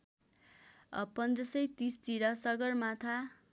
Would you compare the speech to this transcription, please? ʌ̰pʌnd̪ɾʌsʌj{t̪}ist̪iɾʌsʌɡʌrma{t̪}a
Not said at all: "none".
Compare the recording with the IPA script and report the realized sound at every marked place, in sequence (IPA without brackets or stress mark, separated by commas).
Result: t̪, t̪ʰ